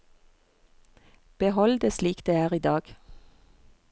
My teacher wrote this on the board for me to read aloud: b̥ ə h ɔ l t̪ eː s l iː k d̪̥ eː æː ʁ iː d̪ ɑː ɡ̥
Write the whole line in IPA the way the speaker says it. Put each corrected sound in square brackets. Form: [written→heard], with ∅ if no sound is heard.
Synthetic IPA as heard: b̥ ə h ɔ l [t̪→d̪] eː s l iː k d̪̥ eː æː ʁ iː d̪ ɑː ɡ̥